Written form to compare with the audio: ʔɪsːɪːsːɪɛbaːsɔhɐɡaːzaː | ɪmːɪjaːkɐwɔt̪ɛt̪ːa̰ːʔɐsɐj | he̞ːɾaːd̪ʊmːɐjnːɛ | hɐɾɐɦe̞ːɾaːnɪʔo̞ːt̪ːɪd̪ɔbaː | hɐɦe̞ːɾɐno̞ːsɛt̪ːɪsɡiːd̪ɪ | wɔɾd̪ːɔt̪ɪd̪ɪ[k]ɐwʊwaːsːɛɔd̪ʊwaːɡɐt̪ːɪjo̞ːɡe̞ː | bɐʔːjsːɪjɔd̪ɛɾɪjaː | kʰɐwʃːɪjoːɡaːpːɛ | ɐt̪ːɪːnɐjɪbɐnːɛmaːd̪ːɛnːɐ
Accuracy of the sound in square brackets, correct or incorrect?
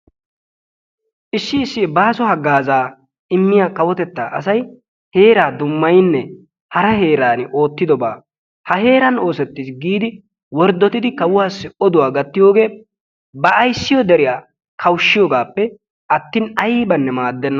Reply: correct